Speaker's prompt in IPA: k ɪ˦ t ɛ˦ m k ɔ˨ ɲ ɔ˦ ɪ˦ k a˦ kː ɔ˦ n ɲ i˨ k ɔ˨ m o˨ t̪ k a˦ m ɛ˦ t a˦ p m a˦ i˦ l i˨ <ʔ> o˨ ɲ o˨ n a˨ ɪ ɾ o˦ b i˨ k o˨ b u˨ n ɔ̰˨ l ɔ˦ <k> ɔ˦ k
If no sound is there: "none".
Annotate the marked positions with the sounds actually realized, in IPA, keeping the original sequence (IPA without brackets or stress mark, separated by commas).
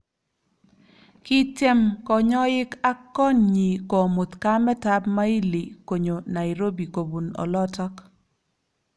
k, t